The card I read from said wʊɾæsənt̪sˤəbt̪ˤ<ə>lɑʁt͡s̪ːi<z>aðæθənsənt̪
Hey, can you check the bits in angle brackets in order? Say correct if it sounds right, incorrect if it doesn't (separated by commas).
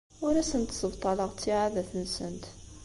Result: incorrect, incorrect